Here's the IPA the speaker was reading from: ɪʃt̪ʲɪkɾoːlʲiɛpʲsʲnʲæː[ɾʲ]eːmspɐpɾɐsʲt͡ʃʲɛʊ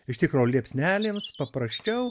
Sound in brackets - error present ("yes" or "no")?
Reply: yes